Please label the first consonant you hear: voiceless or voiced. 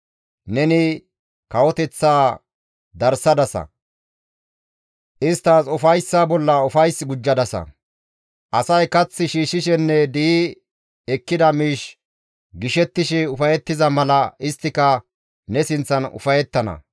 voiced